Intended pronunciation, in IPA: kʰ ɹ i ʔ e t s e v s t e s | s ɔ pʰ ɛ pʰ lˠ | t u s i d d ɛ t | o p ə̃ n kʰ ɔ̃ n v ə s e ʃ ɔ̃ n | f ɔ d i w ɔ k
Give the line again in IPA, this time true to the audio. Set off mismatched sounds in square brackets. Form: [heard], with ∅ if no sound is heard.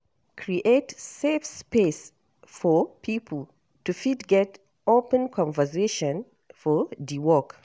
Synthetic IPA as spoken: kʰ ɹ i ʔ e t s e [f] s [p] e s | [f] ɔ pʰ [i] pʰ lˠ | t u [f] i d [ɡ] ɛ t | o p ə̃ n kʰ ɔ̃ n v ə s e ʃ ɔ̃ n | f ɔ d i w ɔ k